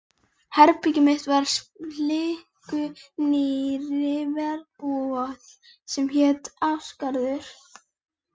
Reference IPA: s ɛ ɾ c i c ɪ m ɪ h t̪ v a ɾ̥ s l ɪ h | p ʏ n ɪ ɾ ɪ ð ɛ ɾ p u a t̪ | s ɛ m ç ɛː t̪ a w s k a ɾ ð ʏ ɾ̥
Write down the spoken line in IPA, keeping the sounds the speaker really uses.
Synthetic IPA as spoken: h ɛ ɾ p i c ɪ m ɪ h t̪ v a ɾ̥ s l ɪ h | k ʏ n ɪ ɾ ɪ v ɛ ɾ p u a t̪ | s ɛ m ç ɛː t̪ a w s k a ɾ ð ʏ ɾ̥